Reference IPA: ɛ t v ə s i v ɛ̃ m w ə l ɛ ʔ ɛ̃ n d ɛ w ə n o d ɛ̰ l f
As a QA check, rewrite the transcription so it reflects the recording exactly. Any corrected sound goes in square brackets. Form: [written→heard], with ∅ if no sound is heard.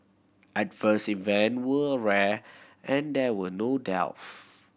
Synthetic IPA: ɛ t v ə s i v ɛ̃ [m→n] w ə [l→ɹ] ɛ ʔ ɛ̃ n d ɛ w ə n o d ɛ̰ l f